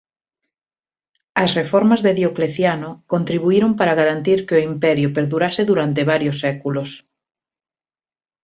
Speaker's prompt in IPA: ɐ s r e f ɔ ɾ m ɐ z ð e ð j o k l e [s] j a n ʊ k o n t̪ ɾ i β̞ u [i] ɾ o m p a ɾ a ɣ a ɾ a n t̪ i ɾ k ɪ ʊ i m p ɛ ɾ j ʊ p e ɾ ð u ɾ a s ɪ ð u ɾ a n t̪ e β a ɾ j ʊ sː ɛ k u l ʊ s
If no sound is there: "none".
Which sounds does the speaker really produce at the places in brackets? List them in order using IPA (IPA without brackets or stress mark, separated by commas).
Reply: θ, i